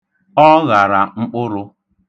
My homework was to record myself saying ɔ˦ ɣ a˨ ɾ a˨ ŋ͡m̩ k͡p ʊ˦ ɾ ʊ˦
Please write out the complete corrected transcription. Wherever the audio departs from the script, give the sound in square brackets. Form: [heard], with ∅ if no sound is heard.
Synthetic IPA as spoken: ɔ˦ ɣ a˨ ɾ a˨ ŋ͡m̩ k͡p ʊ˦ ɾ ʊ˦